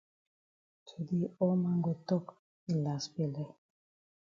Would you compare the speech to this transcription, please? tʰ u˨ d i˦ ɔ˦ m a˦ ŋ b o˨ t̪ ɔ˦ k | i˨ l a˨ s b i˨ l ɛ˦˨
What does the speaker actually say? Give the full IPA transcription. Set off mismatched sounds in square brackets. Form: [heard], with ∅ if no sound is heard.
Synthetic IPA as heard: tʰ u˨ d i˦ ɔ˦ m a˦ ŋ [ɡ] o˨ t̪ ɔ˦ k | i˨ l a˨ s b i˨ l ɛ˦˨